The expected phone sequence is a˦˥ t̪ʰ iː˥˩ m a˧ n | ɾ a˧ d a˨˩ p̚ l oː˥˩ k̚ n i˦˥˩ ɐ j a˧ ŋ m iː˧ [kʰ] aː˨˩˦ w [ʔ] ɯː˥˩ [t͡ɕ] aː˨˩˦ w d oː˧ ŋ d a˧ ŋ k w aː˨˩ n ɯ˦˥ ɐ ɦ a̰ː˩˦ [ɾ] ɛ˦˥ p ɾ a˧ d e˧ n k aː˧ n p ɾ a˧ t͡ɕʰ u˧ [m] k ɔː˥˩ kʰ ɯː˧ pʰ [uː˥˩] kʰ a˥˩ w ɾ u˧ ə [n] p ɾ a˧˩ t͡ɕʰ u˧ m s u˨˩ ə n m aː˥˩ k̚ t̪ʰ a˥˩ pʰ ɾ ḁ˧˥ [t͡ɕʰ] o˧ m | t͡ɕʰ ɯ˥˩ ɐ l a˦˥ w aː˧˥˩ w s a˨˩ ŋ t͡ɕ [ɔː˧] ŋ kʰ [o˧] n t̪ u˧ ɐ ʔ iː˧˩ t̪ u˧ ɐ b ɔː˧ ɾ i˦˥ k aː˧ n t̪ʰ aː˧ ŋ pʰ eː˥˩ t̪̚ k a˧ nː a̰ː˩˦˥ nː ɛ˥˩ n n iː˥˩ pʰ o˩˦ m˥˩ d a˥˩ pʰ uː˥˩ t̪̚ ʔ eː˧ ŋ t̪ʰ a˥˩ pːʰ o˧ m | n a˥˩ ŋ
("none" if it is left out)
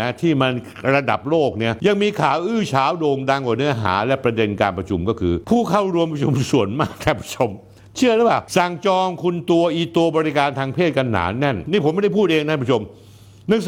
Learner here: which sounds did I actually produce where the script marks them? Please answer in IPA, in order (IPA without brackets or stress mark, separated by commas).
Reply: kʰ, ʔ, t͡ɕʰ, l, m, uː˥˩, m, t͡ɕʰ, ɔː˧, u˧